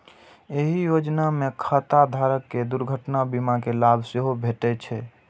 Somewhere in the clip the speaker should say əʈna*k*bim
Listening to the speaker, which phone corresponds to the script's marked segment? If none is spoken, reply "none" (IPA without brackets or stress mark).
none